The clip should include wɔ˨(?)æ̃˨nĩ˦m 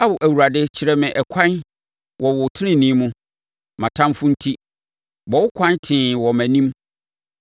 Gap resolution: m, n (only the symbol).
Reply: m